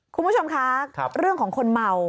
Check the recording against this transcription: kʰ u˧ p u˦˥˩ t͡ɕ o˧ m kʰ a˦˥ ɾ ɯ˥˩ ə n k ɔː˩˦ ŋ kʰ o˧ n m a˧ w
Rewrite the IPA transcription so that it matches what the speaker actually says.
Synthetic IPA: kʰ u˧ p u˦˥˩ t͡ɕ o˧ m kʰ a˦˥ ɾ ɯ˥˩ ə ŋ k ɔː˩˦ ŋ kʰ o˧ n m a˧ w